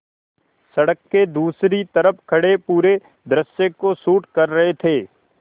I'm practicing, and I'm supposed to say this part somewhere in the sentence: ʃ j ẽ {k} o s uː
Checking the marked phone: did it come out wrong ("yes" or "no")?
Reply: no